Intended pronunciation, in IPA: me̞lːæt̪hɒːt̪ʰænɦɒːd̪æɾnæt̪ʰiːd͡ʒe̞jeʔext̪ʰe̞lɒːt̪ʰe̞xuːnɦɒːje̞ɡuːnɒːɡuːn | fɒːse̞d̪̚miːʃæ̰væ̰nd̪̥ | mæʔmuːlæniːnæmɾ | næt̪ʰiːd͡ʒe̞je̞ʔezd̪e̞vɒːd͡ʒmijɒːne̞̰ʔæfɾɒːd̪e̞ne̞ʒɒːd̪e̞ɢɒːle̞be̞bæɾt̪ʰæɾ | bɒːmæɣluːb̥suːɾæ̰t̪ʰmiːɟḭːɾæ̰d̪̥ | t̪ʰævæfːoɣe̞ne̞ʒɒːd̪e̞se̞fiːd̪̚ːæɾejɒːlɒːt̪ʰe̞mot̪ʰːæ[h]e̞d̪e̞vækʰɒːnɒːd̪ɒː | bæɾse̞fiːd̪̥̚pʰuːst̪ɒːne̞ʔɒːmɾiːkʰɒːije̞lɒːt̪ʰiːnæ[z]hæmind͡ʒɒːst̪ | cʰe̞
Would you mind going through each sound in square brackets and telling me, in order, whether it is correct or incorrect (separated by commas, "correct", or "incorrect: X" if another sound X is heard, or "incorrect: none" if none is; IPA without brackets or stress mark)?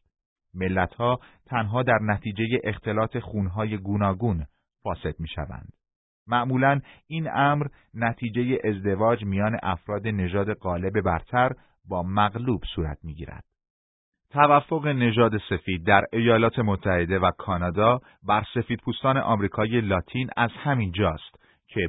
correct, correct